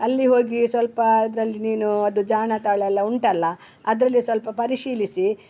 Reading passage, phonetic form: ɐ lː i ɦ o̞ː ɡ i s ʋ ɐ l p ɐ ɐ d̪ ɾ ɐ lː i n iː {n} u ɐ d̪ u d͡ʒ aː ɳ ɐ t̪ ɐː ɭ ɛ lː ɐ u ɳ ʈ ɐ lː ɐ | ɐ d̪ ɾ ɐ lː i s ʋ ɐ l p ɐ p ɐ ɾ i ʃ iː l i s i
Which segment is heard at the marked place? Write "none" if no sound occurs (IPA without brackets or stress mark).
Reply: n